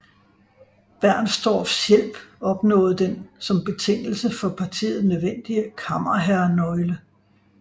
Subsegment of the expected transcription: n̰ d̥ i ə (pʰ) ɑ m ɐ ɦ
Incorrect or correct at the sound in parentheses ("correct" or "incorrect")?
incorrect